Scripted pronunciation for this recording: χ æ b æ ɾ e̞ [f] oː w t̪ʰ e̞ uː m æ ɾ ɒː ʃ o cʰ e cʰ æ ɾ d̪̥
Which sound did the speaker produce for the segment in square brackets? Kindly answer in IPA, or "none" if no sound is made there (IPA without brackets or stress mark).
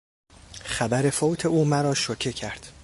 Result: f